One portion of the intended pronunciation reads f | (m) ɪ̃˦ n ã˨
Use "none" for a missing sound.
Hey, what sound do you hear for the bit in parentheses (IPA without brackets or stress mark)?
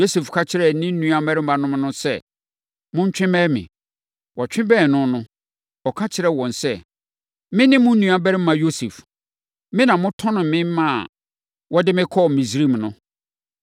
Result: m